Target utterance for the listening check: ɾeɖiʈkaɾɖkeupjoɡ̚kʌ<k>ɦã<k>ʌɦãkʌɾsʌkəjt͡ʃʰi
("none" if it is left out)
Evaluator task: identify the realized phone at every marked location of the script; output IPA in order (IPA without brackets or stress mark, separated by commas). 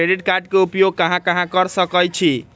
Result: none, k